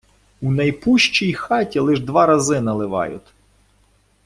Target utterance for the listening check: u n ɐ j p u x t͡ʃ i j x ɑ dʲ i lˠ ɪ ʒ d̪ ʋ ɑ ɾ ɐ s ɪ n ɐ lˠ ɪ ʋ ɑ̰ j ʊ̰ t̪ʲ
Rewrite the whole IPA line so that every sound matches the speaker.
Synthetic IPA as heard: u n ɐ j p u ʃ t͡ʃ i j x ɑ tʲ i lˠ ɪ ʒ d̪ ʋ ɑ ɾ ɐ z ɪ n ɐ lˠ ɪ ʋ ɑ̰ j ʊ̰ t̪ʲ